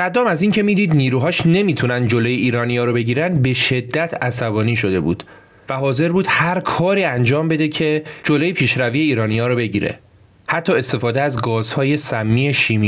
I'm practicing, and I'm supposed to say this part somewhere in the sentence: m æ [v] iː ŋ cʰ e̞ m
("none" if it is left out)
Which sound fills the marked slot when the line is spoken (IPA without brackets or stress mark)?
z